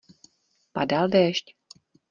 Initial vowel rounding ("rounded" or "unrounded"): unrounded